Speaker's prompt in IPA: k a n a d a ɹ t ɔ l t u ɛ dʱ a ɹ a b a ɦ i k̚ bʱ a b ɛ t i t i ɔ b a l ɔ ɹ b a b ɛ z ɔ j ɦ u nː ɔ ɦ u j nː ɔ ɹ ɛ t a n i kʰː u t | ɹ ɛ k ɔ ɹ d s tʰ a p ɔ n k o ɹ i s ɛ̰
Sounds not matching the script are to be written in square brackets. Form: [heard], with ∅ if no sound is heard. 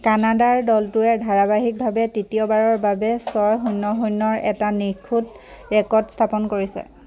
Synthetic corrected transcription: k a n a d a ɹ [d] ɔ l t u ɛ dʱ a ɹ a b a ɦ i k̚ bʱ a b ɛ t i t i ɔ b a [ɹ] ɔ ɹ b a b ɛ [s] ɔ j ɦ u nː ɔ ɦ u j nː ɔ ɹ ɛ t a n i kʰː u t | ɹ ɛ k ɔ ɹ d s tʰ a p ɔ n k o ɹ i s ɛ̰